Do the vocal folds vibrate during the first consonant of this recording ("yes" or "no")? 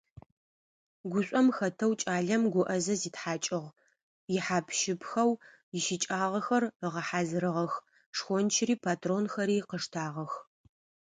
yes